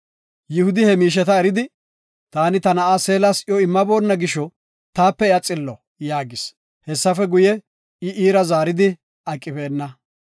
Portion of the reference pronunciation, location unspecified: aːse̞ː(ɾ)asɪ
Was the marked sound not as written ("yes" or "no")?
yes